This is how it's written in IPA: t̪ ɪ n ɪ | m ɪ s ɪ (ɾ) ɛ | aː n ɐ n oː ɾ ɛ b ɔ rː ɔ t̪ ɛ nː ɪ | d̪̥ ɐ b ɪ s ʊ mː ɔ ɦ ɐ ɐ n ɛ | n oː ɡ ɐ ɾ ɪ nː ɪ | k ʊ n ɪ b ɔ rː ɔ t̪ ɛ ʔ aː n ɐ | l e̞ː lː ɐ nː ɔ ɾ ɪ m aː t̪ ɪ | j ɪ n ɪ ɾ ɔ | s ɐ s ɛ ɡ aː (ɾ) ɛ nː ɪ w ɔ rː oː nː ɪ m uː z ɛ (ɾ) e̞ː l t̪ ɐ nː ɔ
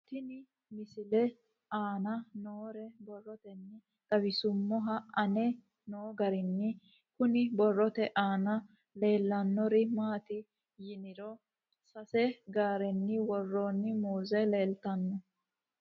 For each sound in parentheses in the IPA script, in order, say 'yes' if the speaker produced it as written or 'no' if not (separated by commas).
no, yes, no